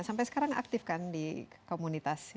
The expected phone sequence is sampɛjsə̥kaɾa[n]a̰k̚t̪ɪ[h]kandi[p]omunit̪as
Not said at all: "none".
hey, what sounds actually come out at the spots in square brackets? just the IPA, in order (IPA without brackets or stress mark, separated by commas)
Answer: ŋ, f, k